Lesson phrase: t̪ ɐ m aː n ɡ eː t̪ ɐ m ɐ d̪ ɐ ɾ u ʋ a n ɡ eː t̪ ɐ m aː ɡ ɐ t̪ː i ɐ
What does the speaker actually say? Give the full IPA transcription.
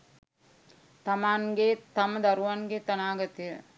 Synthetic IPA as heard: t̪ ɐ m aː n ɡ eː t̪ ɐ m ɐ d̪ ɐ ɾ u ʋ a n ɡ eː t̪ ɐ n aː ɡ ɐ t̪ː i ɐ